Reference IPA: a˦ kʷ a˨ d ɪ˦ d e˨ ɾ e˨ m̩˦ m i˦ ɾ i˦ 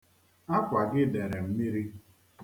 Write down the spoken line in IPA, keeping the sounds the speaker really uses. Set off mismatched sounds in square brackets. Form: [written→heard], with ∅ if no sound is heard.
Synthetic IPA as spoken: a˦ kʷ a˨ [d→ɡ] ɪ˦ d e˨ ɾ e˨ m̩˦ m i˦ ɾ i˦